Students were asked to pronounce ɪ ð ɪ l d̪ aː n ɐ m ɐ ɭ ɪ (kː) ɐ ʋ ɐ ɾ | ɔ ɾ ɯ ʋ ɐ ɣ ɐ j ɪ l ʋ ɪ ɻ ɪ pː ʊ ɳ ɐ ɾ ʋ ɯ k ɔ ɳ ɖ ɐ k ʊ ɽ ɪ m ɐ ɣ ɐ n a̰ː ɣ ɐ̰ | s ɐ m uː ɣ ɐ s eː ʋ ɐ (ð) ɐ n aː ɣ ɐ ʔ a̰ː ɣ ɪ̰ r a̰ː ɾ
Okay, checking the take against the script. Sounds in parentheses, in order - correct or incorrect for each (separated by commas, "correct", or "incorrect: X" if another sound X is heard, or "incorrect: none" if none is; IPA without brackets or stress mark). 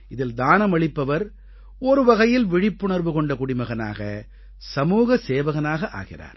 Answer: incorrect: pː, incorrect: ɣ